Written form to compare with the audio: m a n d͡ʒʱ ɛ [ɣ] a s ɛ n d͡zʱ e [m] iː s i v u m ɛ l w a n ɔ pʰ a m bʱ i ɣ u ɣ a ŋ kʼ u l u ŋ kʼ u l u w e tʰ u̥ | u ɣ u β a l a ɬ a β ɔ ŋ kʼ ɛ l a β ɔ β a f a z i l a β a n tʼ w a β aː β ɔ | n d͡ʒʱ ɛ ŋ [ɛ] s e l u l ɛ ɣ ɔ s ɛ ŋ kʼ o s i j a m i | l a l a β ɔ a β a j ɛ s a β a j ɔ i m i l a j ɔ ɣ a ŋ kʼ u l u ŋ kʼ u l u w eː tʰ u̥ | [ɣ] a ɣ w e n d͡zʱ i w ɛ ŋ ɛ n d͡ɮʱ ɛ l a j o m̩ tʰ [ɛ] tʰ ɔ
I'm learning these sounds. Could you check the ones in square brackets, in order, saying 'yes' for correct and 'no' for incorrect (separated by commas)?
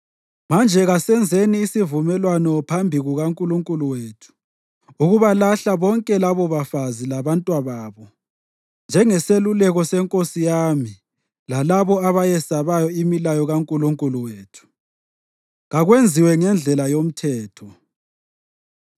yes, no, yes, yes, no